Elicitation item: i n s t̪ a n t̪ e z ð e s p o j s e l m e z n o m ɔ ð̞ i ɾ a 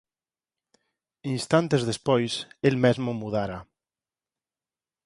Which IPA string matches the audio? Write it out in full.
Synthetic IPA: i n s t̪ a n t̪ e z ð e s p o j s e l m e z m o m u ð̞ a ɾ a